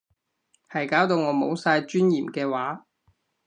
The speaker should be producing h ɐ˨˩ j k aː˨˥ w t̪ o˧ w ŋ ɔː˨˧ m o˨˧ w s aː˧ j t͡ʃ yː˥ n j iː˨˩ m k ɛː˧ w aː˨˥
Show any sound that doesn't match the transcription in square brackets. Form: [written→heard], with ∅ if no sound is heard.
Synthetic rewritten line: h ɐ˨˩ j k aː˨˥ w t̪ o˧ w ŋ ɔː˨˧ m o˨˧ w s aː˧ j t͡ʃ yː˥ n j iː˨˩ m k ɛː˧ w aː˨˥